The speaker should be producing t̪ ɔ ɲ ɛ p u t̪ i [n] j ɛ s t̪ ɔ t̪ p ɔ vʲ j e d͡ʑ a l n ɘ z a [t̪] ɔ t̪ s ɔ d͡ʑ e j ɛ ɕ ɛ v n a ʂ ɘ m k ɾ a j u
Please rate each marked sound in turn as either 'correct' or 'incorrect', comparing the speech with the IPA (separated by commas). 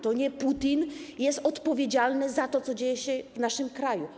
correct, correct